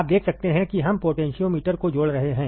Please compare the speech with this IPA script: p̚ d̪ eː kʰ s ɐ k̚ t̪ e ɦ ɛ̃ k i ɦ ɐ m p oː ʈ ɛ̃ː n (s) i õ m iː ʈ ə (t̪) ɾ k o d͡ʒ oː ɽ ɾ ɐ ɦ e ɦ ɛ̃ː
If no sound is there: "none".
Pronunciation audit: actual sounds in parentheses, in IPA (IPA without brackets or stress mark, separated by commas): ʃ, none